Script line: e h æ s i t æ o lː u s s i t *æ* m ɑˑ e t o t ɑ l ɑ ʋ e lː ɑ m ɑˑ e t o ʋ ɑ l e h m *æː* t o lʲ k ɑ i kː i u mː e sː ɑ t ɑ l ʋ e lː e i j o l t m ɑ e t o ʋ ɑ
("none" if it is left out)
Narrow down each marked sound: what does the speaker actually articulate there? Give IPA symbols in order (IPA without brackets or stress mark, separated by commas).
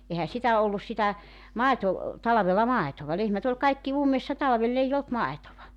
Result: æ, æ